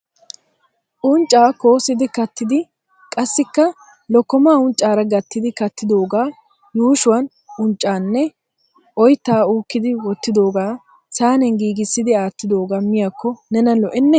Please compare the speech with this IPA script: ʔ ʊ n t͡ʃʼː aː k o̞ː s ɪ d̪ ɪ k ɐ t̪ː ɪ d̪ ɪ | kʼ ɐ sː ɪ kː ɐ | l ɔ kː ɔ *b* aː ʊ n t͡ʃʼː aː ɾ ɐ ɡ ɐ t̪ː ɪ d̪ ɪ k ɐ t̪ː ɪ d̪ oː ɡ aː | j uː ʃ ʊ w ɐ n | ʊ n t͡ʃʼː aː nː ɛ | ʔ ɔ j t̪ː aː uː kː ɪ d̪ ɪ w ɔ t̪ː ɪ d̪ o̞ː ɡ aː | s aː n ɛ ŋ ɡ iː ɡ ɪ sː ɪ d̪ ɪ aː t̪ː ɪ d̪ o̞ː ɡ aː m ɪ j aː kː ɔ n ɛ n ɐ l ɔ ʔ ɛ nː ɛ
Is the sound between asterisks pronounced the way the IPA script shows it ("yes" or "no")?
no